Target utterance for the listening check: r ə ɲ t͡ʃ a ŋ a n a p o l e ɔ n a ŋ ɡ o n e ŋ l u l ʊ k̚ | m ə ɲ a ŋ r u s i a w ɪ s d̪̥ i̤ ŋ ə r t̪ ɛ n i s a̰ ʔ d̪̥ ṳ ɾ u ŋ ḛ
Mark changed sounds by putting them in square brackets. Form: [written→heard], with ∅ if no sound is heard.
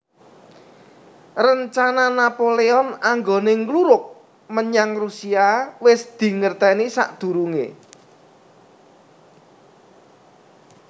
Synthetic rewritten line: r ə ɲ t͡ʃ a [ŋ→n] a n a p o l e ɔ n a ŋ ɡ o n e ŋ l u [l→ɾ] ʊ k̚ | m ə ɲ a ŋ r u s i a w ɪ s d̪̥ i̤ ŋ ə r t̪ ɛ n i s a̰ ʔ d̪̥ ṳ ɾ u ŋ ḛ